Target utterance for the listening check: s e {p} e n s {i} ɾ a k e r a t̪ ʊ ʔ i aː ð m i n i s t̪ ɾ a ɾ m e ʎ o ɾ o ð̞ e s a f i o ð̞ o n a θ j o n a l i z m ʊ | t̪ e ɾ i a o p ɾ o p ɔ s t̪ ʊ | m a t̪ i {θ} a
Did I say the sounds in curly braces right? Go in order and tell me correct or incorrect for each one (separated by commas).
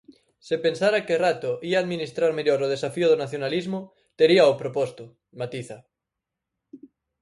correct, incorrect, correct